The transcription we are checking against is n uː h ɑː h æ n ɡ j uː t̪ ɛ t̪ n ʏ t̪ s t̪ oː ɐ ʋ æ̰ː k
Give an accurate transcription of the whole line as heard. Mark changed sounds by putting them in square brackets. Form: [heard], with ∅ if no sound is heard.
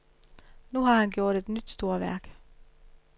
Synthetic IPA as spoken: n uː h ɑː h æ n ɡ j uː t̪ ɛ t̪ n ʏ t̪ s t̪ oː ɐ ʋ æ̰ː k